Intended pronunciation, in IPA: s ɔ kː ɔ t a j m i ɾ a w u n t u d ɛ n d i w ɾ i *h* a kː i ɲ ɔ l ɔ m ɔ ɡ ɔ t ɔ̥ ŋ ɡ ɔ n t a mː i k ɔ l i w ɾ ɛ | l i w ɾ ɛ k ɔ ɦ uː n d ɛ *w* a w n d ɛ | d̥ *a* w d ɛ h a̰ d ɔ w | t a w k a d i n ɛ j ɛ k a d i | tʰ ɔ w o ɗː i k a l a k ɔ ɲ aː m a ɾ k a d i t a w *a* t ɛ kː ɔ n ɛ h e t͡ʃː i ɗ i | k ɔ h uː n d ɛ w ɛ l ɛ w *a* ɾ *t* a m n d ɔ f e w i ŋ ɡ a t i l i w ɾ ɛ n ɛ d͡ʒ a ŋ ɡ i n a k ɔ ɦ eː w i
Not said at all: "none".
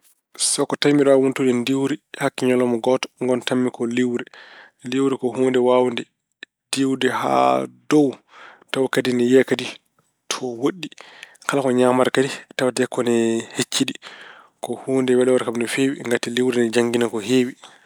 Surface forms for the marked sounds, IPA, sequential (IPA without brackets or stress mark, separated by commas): h, w, i, a, a, k